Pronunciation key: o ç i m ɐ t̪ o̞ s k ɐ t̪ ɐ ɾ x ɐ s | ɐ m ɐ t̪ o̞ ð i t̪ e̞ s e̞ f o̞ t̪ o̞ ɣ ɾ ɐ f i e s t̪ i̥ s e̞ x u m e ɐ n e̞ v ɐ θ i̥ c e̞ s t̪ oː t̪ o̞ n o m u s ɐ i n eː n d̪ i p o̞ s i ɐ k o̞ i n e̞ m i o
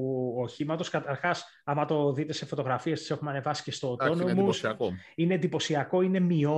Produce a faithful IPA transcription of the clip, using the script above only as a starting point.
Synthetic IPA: o ç i m ɐ t̪ o̞ s k ɐ t̪ ɐ ɾ x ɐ s | ɐ m ɐ t̪ o̞ ð i t̪ e̞ s e̞ f o̞ t̪ o̞ ɣ ɾ ɐ f i e s t̪ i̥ s e̞ x u m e ɐ n e̞ v ɐ s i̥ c e̞ s t̪ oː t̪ o̞ n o m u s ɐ i n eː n d̪ i p o̞ s i ɐ k o̞ i n e̞ m i o